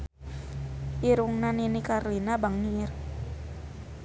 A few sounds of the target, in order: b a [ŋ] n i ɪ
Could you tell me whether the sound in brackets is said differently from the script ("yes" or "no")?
no